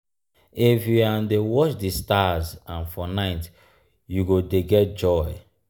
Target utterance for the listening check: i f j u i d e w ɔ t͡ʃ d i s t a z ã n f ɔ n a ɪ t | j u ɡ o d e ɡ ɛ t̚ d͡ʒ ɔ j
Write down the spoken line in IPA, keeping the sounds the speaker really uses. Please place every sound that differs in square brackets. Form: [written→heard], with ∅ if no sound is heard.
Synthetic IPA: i f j u [i→a] d e w ɔ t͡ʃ d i s t a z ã n f ɔ n a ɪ t | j u ɡ o d e ɡ ɛ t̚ d͡ʒ ɔ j